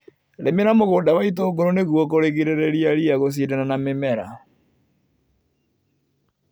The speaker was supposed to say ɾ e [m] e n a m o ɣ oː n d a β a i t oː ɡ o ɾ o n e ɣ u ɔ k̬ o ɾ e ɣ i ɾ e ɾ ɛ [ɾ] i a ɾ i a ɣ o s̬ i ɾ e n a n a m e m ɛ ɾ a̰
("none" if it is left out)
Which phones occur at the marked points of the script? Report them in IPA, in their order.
m, ɾ

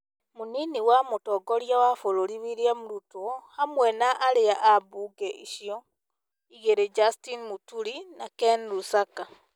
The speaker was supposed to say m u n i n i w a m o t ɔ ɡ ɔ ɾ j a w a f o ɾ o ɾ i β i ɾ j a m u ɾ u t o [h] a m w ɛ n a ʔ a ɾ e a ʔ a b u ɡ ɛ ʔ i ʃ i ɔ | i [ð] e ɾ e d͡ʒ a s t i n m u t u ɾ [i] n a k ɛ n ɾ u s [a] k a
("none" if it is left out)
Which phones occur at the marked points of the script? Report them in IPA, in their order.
h, ɣ, i, a

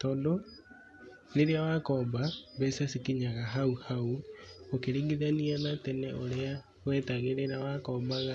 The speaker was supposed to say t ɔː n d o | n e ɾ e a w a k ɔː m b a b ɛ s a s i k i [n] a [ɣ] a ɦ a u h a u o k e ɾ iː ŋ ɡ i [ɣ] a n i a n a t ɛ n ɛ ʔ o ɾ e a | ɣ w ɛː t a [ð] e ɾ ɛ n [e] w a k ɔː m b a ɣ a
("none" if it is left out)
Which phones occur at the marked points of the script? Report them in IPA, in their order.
ɲ, ɣ, ð, ɣ, a

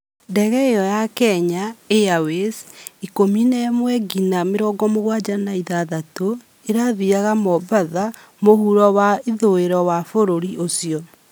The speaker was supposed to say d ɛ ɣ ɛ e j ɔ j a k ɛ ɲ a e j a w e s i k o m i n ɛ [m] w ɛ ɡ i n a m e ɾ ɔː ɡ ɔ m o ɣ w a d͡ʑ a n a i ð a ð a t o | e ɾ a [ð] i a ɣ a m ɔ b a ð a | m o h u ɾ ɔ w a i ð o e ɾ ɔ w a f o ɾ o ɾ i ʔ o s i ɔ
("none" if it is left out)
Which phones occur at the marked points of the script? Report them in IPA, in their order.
m, ð

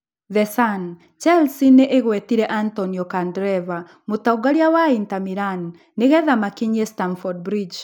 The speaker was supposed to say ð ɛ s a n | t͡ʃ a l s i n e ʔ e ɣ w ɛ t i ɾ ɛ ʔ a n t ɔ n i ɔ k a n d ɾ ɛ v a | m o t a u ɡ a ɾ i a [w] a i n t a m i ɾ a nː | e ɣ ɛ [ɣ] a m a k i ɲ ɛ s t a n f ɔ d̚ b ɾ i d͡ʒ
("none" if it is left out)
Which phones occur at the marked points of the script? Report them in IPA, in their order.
w, ð

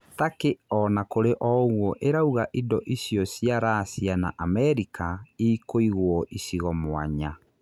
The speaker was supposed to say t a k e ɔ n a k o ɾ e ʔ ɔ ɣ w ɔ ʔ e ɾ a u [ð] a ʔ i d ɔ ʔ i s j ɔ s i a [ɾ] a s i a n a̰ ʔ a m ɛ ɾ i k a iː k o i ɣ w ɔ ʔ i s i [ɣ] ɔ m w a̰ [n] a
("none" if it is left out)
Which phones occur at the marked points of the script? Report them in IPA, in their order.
ɣ, ɾ, ɣ, ɲ

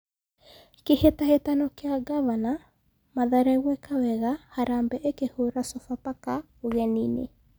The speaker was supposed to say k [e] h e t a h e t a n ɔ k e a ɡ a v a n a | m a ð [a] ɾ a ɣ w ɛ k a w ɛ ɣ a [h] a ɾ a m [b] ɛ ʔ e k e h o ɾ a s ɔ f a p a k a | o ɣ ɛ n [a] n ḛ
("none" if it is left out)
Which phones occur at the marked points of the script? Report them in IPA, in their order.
e, a, h, b, i

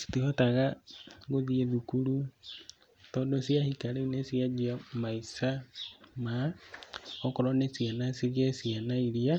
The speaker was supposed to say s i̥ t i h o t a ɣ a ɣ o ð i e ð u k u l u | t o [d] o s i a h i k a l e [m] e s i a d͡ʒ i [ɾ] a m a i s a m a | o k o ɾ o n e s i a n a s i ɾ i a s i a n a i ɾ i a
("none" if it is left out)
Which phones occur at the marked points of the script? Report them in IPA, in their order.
d, n, none

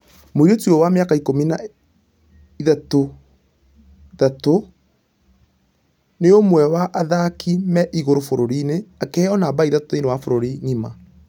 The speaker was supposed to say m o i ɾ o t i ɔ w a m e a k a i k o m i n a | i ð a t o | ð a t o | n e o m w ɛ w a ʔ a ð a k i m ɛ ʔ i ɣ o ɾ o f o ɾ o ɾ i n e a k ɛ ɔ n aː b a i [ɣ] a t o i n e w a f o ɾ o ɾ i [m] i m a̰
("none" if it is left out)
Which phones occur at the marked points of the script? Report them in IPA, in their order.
ð, ɲ

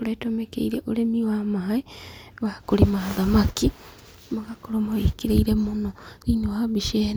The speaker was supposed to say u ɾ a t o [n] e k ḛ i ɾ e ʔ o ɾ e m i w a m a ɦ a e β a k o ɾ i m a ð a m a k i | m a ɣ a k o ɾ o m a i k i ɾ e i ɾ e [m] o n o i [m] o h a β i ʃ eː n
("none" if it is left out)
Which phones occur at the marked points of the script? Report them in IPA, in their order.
m, m, ɲ

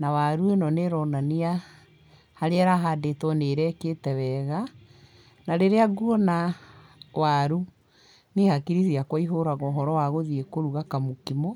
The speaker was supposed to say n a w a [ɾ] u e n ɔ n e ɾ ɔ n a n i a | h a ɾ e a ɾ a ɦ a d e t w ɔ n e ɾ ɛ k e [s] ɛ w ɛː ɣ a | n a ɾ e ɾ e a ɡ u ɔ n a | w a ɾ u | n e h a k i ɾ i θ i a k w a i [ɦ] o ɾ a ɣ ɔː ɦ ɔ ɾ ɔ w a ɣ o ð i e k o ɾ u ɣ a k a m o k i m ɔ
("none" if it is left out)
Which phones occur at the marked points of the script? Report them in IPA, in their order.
ɾ, t, ɦ

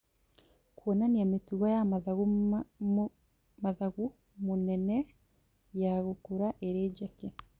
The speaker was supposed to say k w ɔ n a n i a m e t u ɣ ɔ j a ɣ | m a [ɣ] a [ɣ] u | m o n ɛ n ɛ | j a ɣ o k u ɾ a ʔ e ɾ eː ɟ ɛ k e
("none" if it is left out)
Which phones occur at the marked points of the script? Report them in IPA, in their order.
ð, ɣ

